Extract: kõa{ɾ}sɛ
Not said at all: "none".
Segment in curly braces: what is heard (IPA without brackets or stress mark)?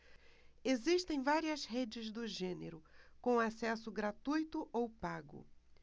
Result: none